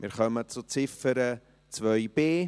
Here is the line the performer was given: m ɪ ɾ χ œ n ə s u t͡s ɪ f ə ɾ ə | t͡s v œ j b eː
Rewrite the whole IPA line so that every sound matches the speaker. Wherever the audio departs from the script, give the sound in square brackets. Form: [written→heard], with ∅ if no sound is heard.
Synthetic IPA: m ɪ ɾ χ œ [n→m] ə [s→t͡s] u t͡s ɪ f ə ɾ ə | t͡s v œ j b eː